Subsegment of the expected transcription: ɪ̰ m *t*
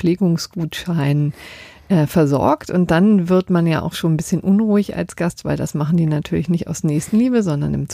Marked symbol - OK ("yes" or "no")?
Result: no